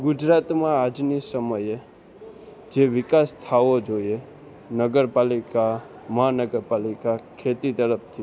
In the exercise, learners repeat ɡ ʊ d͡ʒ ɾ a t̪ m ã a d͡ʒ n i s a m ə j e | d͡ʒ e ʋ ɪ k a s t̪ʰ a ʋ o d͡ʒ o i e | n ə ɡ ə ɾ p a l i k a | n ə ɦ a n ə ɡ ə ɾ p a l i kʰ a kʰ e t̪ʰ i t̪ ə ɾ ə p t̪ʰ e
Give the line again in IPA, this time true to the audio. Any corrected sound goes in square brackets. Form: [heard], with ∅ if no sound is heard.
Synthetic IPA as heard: ɡ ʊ d͡ʒ ɾ a t̪ m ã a d͡ʒ n i s [ə] m ə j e | d͡ʒ e ʋ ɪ k a s t̪ʰ a ʋ o d͡ʒ o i e | n ə ɡ ə ɾ p a l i k a | [m] ə ɦ a n ə ɡ ə ɾ p a l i [k] a kʰ e [t̪] i t̪ ə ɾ ə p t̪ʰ [i]

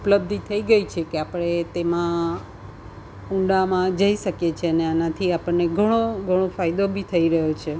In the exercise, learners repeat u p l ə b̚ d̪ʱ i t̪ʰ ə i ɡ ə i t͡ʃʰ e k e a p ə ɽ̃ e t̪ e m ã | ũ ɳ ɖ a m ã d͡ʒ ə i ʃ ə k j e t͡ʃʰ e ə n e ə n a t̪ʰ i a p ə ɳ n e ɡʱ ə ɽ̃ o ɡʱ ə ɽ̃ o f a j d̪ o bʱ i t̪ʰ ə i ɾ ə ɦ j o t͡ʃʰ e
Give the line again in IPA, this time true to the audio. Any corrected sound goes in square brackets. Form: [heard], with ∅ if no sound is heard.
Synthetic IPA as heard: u p l ə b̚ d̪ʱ i t̪ʰ ə i ɡ ə i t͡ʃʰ e k e a p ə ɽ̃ e t̪ e m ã | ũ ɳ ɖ a m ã d͡ʒ ə i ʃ ə k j e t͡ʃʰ e ə n e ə n a t̪ʰ i a p ə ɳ n e ɡʱ ə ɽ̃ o ɡʱ ə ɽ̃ o f a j d̪ o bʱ i t̪ʰ ə i ɾ ə ɦ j o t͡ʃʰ e

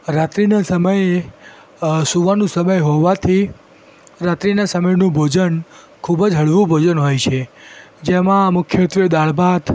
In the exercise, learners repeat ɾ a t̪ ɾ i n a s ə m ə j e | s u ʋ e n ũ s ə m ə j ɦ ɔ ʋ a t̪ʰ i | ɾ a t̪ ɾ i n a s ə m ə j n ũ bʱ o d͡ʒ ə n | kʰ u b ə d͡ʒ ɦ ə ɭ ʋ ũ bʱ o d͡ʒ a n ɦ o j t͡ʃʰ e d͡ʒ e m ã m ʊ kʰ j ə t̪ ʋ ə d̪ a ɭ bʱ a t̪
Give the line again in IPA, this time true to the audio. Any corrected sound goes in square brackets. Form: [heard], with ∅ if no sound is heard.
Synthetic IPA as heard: ɾ a t̪ ɾ i n a s ə m ə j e | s u ʋ [a] n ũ s ə m ə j ɦ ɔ ʋ a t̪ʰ i | ɾ a t̪ ɾ i n a s ə m ə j n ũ bʱ o d͡ʒ ə n | kʰ u b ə d͡ʒ ɦ ə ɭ ʋ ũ bʱ o d͡ʒ [ə] n ɦ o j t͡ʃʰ e d͡ʒ e m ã m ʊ kʰ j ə t̪ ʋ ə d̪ a ɭ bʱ a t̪

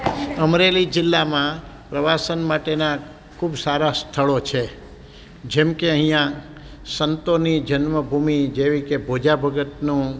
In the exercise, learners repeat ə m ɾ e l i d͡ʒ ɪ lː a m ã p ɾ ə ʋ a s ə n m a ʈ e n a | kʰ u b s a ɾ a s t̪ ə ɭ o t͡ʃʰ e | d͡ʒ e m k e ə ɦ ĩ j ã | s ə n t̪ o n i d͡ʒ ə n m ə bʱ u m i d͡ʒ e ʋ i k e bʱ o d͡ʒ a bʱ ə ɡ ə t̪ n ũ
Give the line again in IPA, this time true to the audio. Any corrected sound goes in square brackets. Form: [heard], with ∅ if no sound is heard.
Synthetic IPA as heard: ə m ɾ e l i d͡ʒ ɪ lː a m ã p ɾ ə ʋ a s ə n m a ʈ e n a | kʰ u b s a ɾ a s [t̪ʰ] ə ɭ o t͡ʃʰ e | d͡ʒ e m k e ə ɦ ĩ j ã | s ə n t̪ o n i d͡ʒ ə n m ə bʱ u m i d͡ʒ e ʋ i k e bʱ o d͡ʒ a bʱ ə ɡ ə t̪ n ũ

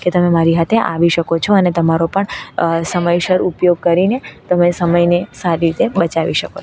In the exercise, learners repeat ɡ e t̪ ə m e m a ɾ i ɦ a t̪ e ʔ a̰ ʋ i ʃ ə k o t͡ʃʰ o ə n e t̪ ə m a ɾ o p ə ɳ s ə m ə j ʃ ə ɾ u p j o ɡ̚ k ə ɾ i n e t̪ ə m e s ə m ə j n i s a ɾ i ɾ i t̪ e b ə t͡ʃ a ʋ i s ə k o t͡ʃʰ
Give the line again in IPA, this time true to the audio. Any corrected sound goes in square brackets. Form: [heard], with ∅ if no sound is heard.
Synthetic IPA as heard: [k] e t̪ ə m e m a ɾ i ɦ a [t̪ʰ] e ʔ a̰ ʋ i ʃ ə k o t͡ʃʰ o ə n e t̪ ə m a ɾ o p ə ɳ s ə m ə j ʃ ə ɾ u p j o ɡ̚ k ə ɾ i n e t̪ ə m e s ə m ə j n [e] s a ɾ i ɾ i t̪ e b ə t͡ʃ a ʋ i [ʃ] ə k o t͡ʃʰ

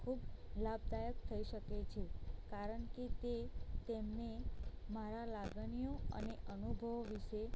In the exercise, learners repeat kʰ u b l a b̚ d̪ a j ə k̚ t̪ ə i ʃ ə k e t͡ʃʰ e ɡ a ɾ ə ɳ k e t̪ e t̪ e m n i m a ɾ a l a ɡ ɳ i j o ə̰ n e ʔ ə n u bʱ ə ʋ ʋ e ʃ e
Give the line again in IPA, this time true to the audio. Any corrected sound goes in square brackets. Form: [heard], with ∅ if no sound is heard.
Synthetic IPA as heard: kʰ u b l a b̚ d̪ a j ə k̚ [t̪ʰ] ə i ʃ ə k e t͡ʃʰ e [k] a ɾ ə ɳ k e t̪ e t̪ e m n [e] m a ɾ a l a ɡ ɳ i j o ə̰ n e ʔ ə n u bʱ ə ʋ ʋ [i] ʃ e

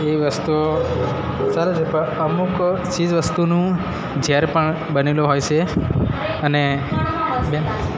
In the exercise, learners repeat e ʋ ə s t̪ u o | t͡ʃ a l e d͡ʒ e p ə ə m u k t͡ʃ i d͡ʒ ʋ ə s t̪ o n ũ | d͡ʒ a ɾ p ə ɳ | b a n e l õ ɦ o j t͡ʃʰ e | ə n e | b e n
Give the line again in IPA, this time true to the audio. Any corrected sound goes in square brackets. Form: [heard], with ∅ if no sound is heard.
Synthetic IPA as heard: e ʋ ə s t̪ u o | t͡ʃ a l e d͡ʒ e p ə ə m u k t͡ʃ i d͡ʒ ʋ ə s t̪ [u] n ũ | d͡ʒ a ɾ p ə ɳ | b [ə] n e l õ ɦ o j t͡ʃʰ e | ə n e | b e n

